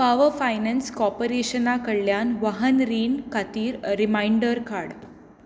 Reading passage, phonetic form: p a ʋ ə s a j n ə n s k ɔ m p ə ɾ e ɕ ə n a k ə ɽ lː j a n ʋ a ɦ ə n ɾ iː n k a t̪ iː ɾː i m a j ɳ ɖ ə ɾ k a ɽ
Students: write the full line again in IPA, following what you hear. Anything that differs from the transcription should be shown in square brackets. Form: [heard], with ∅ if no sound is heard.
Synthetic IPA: p a ʋ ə [f] a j n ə n s k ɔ [∅] p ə ɾ e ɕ ə n a k ə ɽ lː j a n ʋ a ɦ ə n ɾ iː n k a t̪ iː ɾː i m a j ɳ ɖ ə ɾ k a ɽ